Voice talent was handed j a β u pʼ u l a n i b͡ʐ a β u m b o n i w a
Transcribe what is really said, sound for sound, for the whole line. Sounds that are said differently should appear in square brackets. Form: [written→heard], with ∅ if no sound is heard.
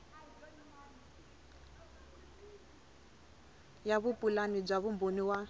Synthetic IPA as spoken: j a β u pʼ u l a n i b͡ʐ a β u m b o n i w a